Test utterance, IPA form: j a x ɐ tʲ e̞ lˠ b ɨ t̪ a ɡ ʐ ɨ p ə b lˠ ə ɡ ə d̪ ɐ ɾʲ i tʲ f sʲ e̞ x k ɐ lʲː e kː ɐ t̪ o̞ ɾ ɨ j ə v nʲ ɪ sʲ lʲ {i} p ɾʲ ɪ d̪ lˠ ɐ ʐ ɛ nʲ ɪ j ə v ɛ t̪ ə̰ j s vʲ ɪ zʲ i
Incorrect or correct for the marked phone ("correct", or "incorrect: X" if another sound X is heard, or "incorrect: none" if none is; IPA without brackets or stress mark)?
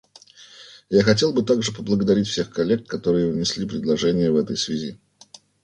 correct